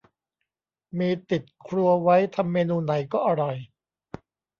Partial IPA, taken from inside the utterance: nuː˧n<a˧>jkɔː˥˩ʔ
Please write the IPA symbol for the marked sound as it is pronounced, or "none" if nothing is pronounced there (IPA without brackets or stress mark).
a˩˦